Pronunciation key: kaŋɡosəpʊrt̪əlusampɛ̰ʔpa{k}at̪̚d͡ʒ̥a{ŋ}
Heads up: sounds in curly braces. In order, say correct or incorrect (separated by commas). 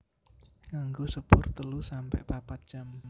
incorrect, incorrect